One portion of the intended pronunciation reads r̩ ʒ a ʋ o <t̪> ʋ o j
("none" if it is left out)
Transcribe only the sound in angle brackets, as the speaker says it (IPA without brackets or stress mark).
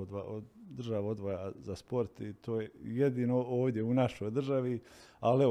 d̪